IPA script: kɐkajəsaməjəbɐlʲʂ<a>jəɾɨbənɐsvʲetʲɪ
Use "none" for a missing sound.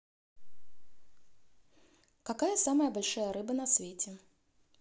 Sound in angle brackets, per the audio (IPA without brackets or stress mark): a